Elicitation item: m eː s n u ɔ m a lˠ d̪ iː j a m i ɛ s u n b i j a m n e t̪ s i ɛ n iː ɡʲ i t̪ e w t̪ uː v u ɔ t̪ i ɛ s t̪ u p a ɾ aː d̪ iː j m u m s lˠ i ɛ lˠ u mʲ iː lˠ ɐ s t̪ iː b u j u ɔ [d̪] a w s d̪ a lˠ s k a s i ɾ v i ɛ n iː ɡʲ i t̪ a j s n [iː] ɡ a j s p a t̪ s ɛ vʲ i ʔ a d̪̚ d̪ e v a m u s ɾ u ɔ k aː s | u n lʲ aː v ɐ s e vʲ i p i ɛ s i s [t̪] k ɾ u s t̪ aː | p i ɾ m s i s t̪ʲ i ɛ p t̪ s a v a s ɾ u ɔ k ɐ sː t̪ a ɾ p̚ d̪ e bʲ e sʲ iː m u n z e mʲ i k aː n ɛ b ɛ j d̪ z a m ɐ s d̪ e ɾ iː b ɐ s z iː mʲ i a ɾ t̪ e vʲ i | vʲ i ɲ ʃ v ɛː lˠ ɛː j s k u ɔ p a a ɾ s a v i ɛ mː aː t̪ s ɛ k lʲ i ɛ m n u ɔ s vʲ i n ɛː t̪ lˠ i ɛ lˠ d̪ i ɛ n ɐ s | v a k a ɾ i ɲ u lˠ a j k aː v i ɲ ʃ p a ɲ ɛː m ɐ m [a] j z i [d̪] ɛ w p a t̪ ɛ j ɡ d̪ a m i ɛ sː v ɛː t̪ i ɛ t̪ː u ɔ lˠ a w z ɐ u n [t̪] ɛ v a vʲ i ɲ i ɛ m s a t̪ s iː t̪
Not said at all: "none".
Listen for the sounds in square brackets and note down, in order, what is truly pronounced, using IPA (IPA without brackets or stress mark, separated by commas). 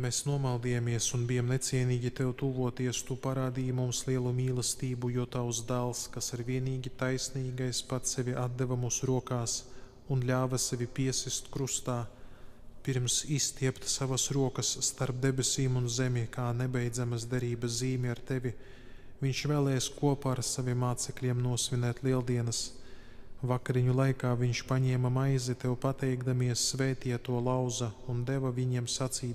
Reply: t̪, iː, t̪, a, t̪, d̪